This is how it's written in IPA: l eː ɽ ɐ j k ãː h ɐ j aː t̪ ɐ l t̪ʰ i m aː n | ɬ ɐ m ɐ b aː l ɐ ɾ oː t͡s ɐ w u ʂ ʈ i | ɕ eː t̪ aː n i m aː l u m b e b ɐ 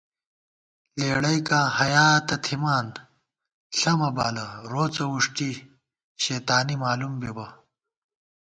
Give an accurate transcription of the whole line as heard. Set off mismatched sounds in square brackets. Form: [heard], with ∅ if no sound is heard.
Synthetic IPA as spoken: l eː ɽ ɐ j k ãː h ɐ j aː t̪ ɐ [∅] t̪ʰ i m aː n | ɬ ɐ m ɐ b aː l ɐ ɾ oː t͡s ɐ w u ʂ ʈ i | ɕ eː t̪ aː n i m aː l u m b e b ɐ

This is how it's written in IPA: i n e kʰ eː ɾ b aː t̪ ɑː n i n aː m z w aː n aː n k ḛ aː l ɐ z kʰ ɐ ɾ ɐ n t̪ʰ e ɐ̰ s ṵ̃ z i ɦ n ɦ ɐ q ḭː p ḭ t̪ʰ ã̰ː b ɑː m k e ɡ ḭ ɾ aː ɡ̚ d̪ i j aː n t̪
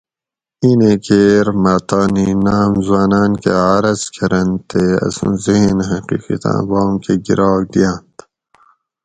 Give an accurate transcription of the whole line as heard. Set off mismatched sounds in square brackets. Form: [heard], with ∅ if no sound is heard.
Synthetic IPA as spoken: i n e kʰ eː ɾ [m] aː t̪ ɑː n i n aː m z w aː n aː n k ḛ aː [ɾ] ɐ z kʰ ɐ ɾ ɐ n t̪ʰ e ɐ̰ s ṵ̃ z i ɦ n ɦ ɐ q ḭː [q] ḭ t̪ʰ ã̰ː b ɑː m k e ɡ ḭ ɾ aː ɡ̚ d̪ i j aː n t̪

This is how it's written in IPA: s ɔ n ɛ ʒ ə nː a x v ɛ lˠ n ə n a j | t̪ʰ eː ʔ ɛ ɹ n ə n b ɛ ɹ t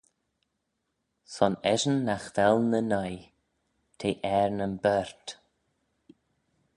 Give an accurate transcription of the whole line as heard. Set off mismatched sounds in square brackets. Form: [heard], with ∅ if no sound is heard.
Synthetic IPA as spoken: s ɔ n ɛ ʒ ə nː a x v ɛ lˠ n ə n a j | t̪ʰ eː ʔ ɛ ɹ n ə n b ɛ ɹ t

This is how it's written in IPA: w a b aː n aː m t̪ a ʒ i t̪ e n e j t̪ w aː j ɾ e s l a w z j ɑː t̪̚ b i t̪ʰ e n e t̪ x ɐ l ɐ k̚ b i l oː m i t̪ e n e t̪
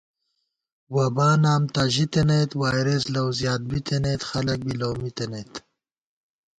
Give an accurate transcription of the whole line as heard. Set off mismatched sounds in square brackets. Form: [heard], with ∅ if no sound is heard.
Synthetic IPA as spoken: w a b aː n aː m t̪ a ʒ i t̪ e n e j t̪ w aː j ɾ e s l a w z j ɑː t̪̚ b i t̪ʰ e n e t̪ x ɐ l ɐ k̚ b i l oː m i t̪ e n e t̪

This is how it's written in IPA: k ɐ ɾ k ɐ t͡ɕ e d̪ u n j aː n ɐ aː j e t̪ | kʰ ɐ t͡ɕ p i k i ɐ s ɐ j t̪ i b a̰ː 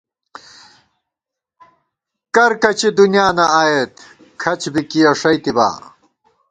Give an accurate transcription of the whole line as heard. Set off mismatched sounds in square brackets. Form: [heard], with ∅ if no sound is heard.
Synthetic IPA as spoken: k ɐ ɾ k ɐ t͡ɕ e d̪ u n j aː n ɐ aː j e t̪ | kʰ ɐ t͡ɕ [b] i k i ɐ [ʂ] ɐ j t̪ i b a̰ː

